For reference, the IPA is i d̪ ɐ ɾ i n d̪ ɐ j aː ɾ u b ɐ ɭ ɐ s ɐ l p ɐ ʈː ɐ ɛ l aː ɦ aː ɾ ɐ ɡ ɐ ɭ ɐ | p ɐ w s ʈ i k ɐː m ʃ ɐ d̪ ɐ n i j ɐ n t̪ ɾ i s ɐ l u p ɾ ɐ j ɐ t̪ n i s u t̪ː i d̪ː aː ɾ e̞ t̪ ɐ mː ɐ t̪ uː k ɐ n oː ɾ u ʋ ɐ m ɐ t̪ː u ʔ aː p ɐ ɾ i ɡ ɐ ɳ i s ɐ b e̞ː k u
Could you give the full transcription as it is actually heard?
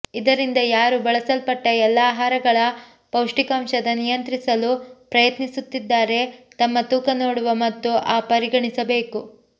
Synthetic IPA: i d̪ ɐ ɾ i n d̪ ɐ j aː ɾ u b ɐ ɭ ɐ s ɐ l p ɐ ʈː ɐ ɛ lː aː ɦ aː ɾ ɐ ɡ ɐ ɭ ɐ | p ɐ w ʂ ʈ i k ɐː m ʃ ɐ d̪ ɐ n i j ɐ n t̪ ɾ i s ɐ l u p ɾ ɐ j ɐ t̪ n i s u t̪ː i d̪ː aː ɾ e̞ t̪ ɐ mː ɐ t̪ uː k ɐ n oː ɽ u ʋ ɐ m ɐ t̪ː u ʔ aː p ɐ ɾ i ɡ ɐ ɳ i s ɐ b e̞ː k u